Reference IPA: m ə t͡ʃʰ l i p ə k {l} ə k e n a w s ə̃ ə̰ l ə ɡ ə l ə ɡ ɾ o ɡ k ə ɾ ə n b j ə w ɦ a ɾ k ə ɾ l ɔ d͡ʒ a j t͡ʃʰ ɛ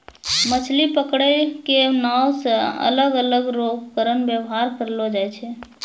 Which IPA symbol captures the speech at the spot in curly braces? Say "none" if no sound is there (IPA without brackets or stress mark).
ɽ